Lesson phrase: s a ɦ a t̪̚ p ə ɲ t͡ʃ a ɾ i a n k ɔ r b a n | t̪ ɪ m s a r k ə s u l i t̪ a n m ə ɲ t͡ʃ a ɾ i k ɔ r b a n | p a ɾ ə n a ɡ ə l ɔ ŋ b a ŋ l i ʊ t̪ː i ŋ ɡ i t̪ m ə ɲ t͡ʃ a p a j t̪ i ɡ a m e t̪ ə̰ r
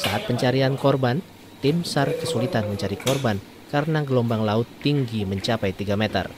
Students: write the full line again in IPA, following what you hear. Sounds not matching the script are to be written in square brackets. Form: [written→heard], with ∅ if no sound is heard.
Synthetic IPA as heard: s a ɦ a t̪̚ p ə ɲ t͡ʃ a ɾ i a n k ɔ r b a n | t̪ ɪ m s a r k ə s u l i t̪ a n m ə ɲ t͡ʃ a ɾ i k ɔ r b a n | [p→k] a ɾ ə n a ɡ ə l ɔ [ŋ→m] b a ŋ l [i→a] ʊ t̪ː i ŋ ɡ i [t̪→∅] m ə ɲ t͡ʃ a p a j t̪ i ɡ a m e t̪ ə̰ r